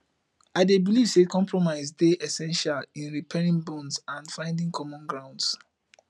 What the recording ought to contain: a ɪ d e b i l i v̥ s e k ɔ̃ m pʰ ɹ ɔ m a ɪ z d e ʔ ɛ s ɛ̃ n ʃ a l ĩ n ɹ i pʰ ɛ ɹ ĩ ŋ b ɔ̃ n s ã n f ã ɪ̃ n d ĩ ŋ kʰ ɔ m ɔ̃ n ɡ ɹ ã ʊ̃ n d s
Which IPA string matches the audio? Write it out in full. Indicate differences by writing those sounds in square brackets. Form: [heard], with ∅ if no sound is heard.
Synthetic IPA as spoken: a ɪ d e b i l i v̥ s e k ɔ̃ m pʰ ɹ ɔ m a ɪ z d e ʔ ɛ s ɛ̃ n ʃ a l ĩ n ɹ i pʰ ɛ ɹ ĩ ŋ b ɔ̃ n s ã n f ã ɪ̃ n d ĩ ŋ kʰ ɔ m ɔ̃ n ɡ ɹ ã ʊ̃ n d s